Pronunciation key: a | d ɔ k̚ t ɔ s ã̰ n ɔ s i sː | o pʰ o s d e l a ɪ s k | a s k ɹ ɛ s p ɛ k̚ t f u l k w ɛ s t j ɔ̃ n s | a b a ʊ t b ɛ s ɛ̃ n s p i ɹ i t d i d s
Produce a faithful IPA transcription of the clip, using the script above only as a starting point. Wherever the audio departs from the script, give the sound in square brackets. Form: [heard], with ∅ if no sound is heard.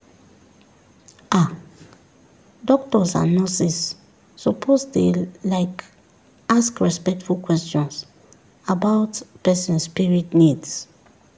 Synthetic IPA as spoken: a | d ɔ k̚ t ɔ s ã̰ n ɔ s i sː | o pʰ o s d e l a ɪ [∅] k | a s k ɹ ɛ s p ɛ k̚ t f u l k w ɛ s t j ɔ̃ n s | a b a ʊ t [p] ɛ s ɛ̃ n s p i ɹ i t [n] i d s